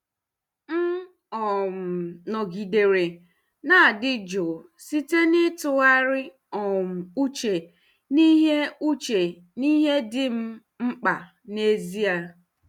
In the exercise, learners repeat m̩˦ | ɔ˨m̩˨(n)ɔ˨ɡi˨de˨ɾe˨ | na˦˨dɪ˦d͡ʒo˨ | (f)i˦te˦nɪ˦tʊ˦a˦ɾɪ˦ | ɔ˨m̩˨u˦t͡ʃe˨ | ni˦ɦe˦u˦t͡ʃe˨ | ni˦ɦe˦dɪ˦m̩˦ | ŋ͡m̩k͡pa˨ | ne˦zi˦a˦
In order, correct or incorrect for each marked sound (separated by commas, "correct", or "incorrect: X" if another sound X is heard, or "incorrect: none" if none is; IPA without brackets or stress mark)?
correct, incorrect: s